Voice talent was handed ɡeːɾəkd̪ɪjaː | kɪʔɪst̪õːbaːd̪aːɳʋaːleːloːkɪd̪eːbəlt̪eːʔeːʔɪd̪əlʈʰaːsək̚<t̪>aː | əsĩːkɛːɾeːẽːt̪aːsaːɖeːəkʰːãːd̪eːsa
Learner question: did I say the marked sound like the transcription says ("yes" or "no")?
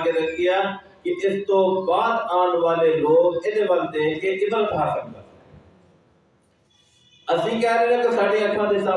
no